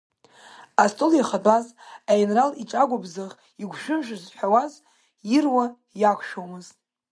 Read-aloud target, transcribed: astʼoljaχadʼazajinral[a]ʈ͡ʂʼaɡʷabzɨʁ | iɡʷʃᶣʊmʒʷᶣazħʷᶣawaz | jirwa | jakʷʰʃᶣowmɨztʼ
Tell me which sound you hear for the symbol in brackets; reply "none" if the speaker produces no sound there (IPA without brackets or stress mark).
i